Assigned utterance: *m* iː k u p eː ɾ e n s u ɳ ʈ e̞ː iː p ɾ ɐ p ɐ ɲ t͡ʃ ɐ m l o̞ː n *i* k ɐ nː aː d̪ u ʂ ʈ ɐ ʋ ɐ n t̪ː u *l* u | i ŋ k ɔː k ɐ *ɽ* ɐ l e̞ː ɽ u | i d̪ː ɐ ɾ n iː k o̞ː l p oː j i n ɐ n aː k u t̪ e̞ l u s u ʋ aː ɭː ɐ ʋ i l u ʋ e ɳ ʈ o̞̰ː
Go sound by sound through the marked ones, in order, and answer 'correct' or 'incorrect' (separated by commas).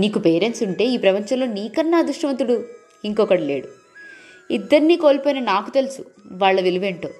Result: incorrect, incorrect, incorrect, correct